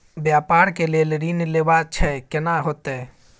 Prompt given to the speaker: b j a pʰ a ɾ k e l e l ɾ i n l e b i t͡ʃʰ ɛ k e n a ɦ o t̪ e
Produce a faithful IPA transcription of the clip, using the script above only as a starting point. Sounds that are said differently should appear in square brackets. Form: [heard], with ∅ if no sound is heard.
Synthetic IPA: b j a [p] a ɾ k e l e l ɾ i n l e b [a] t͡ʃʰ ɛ k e n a ɦ o t̪ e